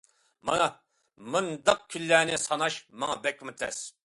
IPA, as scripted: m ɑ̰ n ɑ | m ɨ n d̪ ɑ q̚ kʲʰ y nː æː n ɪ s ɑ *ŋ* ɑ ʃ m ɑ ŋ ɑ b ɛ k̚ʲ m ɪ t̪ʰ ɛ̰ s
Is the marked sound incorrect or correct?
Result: incorrect